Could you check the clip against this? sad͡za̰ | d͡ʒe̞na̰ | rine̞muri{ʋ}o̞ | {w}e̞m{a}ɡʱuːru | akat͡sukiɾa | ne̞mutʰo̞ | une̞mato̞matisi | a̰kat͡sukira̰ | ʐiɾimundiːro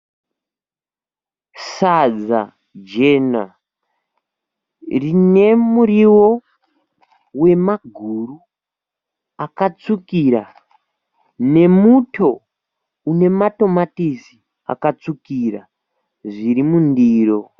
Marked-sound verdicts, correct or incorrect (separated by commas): incorrect, correct, correct